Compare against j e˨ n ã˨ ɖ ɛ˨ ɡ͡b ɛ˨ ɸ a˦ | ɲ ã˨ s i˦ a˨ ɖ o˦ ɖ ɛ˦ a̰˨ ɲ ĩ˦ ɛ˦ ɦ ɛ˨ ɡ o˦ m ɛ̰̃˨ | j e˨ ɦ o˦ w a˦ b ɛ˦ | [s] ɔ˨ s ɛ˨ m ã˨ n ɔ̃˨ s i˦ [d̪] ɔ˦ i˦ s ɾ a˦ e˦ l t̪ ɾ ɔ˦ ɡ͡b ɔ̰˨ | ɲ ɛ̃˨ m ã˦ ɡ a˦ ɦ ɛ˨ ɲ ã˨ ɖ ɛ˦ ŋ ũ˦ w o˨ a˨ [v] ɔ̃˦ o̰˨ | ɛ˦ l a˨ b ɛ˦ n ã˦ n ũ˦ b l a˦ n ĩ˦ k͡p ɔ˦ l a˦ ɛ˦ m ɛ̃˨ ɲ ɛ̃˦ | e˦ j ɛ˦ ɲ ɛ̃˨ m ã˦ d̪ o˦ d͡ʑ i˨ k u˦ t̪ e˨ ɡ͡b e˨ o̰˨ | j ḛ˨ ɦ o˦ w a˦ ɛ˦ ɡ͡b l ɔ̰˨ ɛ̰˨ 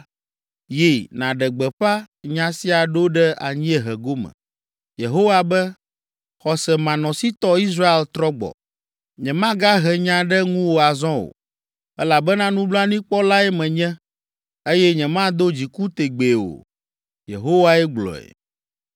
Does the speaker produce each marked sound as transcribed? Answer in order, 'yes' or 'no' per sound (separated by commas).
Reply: no, no, no